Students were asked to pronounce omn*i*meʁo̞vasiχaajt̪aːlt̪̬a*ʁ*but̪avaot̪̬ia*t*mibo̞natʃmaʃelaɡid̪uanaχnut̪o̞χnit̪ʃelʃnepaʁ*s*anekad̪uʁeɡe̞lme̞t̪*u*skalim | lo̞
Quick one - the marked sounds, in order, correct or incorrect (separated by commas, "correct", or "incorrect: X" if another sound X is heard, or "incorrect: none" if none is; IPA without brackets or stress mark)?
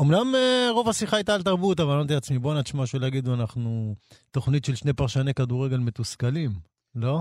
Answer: incorrect: a, correct, incorrect: t͡s, incorrect: ʃ, correct